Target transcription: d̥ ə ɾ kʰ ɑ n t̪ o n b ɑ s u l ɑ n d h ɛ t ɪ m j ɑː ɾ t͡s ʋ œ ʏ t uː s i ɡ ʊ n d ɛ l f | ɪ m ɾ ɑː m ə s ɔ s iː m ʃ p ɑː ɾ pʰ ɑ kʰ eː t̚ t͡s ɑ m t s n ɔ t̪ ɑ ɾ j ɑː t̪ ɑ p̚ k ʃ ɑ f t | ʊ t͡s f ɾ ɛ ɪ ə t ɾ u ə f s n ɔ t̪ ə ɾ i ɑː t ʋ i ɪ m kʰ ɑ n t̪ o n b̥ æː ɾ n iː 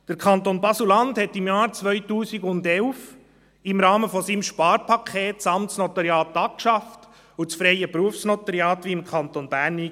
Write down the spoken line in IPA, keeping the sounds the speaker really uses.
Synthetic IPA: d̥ ə ɾ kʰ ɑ n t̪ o n b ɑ s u l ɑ n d h ɛ t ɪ m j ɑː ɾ t͡s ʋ œ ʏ t uː s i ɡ ʊ n d ɛ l f | ɪ m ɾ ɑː m ə f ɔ s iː m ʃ p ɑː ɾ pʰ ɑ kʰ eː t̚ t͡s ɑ m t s n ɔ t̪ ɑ ɾ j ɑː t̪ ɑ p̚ k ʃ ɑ f t | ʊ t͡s f ɾ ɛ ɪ ə p ɾ u ə f s n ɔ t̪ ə ɾ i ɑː t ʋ i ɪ m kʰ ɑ n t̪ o n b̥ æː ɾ n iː